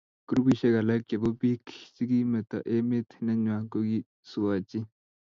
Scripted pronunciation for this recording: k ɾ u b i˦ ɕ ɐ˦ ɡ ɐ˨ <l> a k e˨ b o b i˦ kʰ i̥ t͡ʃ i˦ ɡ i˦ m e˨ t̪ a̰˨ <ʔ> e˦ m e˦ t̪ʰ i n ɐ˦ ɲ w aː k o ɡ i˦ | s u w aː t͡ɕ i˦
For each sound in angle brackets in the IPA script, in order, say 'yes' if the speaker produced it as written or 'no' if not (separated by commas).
yes, yes